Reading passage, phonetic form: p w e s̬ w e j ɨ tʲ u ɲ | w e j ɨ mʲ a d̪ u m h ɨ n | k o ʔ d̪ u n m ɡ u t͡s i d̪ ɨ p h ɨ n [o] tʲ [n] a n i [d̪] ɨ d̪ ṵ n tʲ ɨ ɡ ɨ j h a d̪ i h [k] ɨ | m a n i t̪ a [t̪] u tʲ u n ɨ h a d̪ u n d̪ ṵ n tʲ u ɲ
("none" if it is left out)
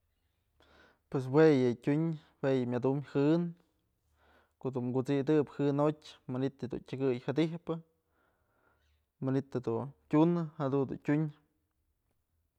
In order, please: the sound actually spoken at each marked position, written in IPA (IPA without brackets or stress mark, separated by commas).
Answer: o, m, t̪, p, d̪